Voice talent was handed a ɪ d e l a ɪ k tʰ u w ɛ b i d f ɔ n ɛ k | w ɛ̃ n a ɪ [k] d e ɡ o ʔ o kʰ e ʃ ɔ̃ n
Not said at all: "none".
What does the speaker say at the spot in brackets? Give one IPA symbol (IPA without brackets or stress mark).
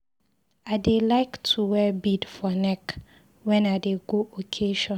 none